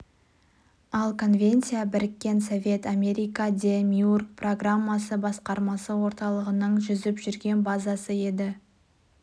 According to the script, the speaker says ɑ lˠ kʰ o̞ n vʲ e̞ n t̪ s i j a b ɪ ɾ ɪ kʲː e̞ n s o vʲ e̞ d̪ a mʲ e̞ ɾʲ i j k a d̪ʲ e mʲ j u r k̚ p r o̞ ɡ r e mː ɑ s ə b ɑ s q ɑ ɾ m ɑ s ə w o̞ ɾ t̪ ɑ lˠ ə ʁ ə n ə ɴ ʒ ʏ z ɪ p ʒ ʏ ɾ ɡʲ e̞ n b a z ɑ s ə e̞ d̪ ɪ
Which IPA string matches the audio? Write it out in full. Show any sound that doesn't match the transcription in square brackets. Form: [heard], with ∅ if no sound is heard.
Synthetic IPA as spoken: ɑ lˠ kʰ o̞ n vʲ e̞ n t̪ s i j a b ɪ ɾ ɪ kʲː e̞ n s o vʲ e̞ [t̪] a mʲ e̞ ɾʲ i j k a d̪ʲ e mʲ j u r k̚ p r o̞ ɡ r [a] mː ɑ s ə b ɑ s q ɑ ɾ m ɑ s ə w o̞ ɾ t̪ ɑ lˠ ə ʁ ə n ə ɴ ʒ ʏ z ɪ p ʒ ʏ ɾ ɡʲ e̞ n b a z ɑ s ə e̞ d̪ ɪ